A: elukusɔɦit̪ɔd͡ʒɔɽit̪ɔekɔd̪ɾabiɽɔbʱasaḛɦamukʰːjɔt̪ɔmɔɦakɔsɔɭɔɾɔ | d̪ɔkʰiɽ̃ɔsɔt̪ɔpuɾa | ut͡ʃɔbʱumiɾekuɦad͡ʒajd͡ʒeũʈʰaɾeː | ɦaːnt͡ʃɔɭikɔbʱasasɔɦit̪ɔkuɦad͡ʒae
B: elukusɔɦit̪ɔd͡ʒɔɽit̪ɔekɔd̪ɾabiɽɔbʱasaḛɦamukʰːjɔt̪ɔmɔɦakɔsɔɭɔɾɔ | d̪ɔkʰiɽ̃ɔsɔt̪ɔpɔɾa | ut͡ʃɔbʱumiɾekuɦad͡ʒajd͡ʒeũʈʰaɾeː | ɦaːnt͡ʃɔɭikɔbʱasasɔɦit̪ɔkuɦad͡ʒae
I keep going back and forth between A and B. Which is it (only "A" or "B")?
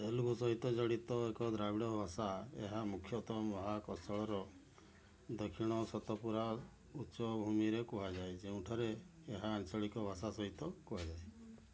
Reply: A